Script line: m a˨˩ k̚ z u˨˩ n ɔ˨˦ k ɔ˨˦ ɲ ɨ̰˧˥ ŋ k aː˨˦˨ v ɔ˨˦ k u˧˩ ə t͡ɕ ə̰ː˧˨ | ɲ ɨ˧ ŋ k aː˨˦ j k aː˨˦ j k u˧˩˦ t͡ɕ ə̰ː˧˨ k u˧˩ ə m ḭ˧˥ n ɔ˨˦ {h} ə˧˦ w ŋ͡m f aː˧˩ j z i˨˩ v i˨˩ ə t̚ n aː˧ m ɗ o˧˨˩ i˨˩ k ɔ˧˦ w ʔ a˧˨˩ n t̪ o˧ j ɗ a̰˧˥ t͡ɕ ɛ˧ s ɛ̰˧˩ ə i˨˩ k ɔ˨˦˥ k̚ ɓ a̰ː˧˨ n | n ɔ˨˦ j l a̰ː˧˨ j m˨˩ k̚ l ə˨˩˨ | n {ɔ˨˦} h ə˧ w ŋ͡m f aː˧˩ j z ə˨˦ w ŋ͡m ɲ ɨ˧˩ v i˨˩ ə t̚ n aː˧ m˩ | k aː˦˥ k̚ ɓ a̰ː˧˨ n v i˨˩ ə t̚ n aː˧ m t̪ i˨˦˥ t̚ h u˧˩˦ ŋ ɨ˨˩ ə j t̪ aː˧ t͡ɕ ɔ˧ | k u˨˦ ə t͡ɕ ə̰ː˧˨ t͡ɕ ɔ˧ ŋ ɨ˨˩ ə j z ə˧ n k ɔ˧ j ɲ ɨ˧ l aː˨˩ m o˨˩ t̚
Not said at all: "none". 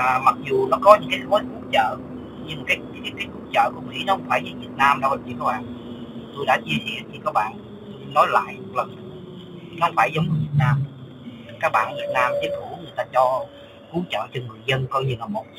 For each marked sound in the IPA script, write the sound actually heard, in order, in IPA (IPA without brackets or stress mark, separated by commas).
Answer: h, ɔ˦